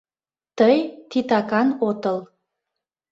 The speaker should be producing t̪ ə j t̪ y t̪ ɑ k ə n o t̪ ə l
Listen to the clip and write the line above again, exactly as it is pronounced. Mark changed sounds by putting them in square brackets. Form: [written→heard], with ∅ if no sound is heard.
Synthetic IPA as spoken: t̪ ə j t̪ [y→i] t̪ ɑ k [ə→ɑ] n o t̪ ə l